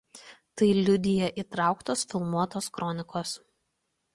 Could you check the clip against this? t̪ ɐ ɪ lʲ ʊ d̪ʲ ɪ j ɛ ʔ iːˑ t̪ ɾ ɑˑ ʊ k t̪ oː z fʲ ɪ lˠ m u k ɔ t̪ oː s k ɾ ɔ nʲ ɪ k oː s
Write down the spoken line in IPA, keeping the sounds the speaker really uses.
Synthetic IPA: t̪ ɐ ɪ lʲ ʊ d̪ʲ ɪ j ɛ ʔ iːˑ t̪ ɾ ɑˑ ʊ k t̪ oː s fʲ ɪ lˠ m u ɔ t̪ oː s k ɾ ɔ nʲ ɪ k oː s